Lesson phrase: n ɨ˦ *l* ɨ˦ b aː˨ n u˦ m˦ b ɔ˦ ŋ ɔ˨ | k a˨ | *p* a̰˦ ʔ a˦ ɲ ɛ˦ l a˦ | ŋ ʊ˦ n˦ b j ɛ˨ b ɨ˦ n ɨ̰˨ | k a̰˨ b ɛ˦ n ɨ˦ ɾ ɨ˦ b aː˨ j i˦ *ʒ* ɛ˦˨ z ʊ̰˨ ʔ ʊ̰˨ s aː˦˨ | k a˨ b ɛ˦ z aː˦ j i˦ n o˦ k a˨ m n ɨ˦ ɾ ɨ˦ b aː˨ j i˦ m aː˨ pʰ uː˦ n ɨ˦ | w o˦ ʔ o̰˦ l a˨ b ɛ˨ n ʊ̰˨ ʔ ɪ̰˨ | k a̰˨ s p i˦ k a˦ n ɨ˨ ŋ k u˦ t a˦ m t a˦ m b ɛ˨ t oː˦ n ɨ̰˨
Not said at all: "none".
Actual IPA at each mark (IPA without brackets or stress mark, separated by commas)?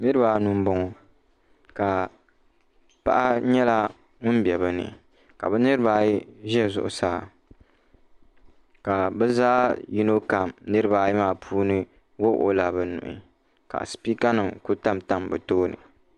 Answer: ɾ, p, ʒ